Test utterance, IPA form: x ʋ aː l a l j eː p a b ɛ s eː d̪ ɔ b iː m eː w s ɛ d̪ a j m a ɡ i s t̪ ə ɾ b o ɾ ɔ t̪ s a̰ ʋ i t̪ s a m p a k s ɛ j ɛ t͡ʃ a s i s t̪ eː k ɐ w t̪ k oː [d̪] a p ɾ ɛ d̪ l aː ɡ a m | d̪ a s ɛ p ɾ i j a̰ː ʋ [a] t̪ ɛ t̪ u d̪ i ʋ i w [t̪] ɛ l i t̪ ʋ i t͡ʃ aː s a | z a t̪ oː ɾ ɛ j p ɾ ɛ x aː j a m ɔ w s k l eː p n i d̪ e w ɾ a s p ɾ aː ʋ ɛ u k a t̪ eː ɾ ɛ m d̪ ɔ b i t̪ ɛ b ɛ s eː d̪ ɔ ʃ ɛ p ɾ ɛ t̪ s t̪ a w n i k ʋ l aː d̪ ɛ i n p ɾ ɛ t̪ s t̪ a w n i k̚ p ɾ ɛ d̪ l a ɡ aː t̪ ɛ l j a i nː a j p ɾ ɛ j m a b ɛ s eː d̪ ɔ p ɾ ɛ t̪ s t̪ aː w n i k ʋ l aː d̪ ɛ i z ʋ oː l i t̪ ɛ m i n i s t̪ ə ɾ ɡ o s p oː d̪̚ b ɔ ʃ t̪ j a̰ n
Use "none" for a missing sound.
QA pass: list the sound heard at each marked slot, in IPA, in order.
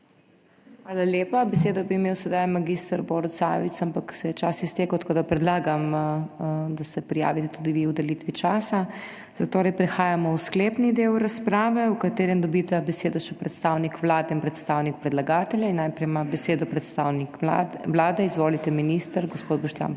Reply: d̪, i, d̪

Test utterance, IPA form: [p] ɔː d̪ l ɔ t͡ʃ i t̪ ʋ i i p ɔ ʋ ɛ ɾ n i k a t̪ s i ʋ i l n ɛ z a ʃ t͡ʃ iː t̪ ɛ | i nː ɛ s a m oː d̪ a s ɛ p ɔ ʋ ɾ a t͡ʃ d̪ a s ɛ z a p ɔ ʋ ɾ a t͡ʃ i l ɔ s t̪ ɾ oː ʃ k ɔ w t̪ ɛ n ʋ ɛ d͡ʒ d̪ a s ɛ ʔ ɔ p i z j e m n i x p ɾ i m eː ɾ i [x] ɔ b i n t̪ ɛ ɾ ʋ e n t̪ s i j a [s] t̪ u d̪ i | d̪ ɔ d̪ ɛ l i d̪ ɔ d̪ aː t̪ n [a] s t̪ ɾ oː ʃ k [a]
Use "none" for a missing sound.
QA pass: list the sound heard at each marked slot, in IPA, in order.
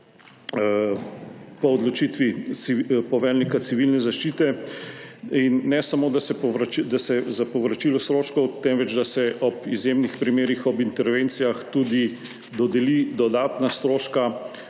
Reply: p, x, x, a, a

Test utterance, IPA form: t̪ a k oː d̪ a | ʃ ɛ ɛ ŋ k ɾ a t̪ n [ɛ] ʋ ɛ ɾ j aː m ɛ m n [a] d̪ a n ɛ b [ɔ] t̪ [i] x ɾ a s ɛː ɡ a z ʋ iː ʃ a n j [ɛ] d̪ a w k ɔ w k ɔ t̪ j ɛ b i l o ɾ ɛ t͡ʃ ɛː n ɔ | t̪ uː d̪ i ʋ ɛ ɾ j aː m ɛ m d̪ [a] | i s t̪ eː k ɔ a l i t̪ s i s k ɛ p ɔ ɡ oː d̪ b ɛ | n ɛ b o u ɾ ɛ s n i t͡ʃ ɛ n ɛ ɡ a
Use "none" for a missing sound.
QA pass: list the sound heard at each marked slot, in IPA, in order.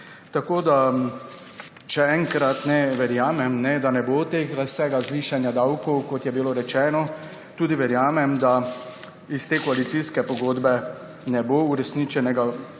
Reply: ɛ, ɛ, o, e, a, a

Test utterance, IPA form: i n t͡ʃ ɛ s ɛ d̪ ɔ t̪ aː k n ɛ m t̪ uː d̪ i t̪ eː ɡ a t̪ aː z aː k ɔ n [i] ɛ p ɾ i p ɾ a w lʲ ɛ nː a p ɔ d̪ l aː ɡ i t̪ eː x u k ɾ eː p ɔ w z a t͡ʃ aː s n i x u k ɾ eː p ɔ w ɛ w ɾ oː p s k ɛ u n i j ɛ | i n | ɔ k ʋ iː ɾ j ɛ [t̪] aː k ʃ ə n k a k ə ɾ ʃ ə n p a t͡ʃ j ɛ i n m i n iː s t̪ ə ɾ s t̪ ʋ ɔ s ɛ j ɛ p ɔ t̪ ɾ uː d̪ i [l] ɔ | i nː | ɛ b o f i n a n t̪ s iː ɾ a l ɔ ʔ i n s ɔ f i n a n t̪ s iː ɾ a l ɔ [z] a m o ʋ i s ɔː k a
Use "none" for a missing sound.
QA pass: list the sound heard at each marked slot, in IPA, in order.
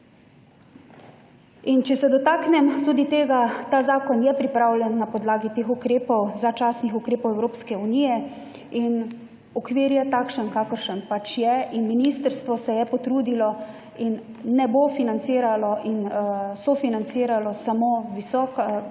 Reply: j, t̪, l, s

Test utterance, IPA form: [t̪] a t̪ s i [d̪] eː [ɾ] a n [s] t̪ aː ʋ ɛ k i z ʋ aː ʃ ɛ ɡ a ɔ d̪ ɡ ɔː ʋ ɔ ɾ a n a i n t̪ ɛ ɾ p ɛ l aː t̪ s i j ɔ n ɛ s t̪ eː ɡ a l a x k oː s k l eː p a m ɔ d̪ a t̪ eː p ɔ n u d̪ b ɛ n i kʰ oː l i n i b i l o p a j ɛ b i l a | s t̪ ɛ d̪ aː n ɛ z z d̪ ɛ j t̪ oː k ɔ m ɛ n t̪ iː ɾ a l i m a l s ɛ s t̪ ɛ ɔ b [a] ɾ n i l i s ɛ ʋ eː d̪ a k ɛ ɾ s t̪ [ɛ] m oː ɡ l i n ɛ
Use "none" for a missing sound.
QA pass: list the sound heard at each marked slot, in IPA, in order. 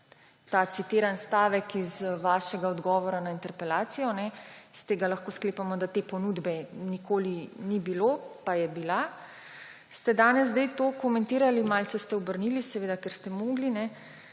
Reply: t̪, t̪, ɾ, s, ə, ɛ

